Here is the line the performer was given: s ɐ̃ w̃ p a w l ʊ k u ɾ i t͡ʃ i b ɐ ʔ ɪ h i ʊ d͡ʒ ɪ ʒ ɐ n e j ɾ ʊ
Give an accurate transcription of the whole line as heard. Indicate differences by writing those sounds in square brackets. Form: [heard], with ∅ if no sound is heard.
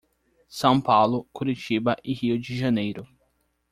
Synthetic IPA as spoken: s ɐ̃ w̃ p a w l ʊ k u ɾ i t͡ʃ i b ɐ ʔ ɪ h i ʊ d͡ʒ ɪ ʒ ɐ n e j ɾ ʊ